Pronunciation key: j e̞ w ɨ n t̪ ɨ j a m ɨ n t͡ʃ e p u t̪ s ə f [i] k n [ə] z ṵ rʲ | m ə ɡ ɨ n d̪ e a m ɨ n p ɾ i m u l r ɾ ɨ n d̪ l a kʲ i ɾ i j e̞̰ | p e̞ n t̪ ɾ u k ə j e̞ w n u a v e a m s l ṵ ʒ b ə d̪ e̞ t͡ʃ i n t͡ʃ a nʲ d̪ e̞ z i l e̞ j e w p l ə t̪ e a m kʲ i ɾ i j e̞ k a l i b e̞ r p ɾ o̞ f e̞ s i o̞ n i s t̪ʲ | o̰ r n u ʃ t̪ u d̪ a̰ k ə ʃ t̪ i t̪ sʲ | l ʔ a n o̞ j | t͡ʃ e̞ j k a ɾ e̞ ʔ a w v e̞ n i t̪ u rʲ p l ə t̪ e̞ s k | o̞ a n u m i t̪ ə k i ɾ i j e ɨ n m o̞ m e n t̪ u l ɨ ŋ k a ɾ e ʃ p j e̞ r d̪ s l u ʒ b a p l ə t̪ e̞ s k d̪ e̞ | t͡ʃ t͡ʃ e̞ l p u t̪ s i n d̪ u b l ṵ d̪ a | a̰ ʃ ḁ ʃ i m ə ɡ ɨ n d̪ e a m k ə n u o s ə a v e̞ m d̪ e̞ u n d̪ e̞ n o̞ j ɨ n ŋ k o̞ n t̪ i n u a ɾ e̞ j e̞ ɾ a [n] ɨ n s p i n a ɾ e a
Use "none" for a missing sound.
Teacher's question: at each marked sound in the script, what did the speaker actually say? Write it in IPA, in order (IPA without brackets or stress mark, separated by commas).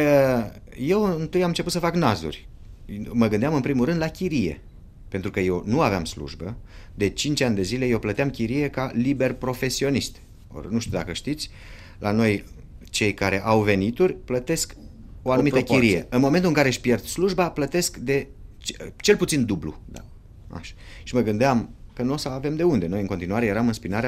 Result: a, a, m